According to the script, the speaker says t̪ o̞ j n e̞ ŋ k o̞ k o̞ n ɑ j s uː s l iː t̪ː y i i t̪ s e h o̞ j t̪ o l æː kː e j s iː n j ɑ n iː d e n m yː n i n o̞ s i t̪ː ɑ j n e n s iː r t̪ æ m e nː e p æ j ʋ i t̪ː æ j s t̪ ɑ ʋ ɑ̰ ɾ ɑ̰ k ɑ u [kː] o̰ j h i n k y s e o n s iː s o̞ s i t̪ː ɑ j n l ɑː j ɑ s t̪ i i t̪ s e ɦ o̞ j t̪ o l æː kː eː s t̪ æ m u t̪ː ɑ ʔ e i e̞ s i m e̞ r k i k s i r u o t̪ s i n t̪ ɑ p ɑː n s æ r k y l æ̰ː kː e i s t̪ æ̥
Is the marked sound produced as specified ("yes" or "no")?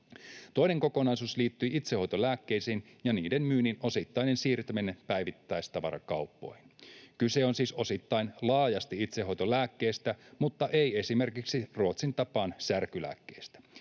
no